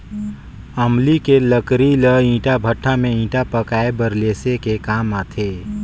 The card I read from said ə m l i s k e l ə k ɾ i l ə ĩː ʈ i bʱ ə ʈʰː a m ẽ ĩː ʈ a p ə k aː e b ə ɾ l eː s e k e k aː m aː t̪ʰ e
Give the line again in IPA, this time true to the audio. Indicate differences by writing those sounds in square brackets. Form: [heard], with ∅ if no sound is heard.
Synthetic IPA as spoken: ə m l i [∅] k e l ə k ɾ i l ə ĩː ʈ [a] bʱ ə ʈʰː a m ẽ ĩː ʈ a p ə k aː e b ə ɾ l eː s e k e k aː m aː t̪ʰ e

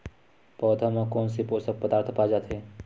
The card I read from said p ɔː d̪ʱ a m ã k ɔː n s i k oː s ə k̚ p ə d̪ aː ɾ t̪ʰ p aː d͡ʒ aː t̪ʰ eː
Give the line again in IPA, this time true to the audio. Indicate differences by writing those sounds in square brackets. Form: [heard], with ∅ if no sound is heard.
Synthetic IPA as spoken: p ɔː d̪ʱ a m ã k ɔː n s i [p] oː s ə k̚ p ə d̪ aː ɾ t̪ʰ p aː d͡ʒ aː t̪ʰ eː

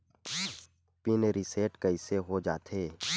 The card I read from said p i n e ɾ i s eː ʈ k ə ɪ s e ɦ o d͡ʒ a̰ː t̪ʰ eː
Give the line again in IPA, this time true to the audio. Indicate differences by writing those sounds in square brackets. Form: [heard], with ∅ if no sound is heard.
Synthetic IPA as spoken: p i n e ɾ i s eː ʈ k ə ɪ s e ɦ o d͡ʒ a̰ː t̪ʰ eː

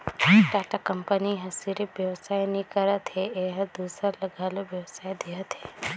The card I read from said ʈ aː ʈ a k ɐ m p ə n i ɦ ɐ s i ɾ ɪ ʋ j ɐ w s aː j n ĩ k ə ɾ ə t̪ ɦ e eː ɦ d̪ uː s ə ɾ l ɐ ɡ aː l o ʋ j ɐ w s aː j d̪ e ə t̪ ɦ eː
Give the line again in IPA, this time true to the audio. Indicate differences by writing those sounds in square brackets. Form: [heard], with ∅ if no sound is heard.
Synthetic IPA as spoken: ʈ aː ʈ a k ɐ m p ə n i ɦ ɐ s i ɾ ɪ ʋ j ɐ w s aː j n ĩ k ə ɾ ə t̪ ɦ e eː ɦ d̪ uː s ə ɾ l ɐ ɡ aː l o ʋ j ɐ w s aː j d̪ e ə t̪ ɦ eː

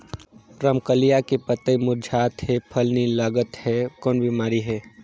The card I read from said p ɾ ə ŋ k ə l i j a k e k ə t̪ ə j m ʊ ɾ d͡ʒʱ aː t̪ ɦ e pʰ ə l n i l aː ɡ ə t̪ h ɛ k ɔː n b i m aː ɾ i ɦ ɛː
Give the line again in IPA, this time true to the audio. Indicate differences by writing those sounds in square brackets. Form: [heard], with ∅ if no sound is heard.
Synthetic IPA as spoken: p ɾ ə [m] k ə l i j a k e [p] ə t̪ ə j m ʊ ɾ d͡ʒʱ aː t̪ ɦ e pʰ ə l n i l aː ɡ ə t̪ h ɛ k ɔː n b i m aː ɾ i ɦ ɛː

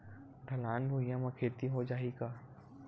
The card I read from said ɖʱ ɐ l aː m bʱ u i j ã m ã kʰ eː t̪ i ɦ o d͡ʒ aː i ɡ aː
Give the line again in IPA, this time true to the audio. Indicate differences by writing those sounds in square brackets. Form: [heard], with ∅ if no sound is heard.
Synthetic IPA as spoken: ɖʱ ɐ l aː [n] bʱ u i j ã m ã kʰ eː t̪ i ɦ o d͡ʒ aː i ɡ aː

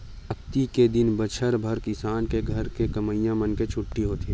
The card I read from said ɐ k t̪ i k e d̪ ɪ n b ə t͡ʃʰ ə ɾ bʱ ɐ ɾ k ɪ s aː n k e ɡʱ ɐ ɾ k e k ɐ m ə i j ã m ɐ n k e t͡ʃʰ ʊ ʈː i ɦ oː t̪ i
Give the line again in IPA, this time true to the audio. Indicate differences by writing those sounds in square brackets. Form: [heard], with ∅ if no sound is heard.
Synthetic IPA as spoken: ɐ k t̪ i k e d̪ ɪ n b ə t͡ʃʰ ə ɾ bʱ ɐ ɾ k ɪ s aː n k e ɡʱ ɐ ɾ k e k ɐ m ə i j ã m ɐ n k e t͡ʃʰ ʊ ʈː i ɦ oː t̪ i

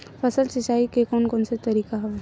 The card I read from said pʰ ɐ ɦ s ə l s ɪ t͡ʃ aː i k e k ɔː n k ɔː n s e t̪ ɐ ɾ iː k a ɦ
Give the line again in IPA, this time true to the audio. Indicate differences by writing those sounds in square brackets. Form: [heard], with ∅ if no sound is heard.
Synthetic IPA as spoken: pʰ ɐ [∅] s ə l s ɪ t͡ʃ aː i k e k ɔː n k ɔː n s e t̪ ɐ ɾ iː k a ɦ

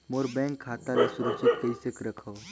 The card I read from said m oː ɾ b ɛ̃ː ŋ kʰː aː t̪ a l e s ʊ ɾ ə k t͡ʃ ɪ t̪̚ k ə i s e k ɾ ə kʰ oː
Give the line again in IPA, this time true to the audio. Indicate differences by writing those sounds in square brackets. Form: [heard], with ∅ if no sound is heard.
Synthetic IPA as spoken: m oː ɾ b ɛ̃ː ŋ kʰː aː t̪ a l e s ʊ ɾ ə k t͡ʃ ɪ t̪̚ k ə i s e k ɾ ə kʰ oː

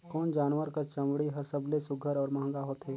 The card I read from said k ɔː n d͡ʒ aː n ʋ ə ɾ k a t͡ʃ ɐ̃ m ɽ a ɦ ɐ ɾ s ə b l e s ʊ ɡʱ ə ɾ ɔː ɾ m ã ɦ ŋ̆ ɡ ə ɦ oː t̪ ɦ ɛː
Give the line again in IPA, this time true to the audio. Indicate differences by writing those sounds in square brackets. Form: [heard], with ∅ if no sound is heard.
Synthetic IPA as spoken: k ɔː n d͡ʒ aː n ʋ ə ɾ k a t͡ʃ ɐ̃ m ɽ [i] ɦ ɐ ɾ s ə b l e s ʊ ɡʱ ə ɾ ɔː ɾ m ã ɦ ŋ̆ ɡ [a] ɦ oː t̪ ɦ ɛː

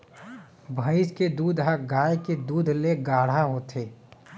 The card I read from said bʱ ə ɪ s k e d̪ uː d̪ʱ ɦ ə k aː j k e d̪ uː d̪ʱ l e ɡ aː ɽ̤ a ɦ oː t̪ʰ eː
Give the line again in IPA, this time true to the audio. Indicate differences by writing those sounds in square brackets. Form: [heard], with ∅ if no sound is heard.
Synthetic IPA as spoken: bʱ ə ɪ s k e d̪ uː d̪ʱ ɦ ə [ɡ] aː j k e d̪ uː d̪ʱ l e ɡ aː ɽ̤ a ɦ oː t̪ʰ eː

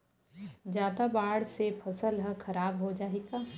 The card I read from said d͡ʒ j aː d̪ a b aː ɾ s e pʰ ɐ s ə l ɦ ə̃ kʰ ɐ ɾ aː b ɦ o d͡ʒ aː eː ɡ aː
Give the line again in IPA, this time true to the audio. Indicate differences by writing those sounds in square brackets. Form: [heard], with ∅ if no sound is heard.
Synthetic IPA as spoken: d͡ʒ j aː d̪ a b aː [ɽ] s e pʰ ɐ s ə l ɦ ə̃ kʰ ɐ ɾ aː b ɦ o d͡ʒ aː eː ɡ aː

